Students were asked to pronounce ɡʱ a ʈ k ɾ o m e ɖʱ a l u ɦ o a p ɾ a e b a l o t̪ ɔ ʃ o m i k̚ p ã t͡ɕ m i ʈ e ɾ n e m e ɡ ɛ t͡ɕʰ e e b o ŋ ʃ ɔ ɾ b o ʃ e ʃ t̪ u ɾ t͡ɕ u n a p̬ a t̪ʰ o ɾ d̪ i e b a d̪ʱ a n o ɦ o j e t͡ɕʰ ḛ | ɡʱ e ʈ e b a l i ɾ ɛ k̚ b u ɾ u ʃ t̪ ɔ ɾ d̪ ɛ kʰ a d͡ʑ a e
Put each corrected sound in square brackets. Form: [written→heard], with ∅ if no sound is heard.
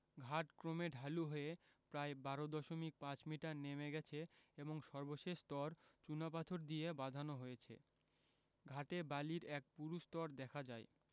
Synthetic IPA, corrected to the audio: ɡʱ a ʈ k ɾ o m e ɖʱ a l u ɦ o [a→e] p ɾ a e b a [l→ɾ] o [t̪→d̪] ɔ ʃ o m i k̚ p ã t͡ɕ m i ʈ [e→a] ɾ n e m e ɡ ɛ t͡ɕʰ e e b o ŋ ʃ ɔ ɾ b o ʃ e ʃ t̪ [u→ɔ] ɾ t͡ɕ u n a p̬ a t̪ʰ o ɾ d̪ i e b a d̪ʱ a n o ɦ o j e t͡ɕʰ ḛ | ɡʱ [e→a] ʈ e b a l i ɾ ɛ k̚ [b→p] u ɾ u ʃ t̪ ɔ ɾ d̪ ɛ kʰ a d͡ʑ a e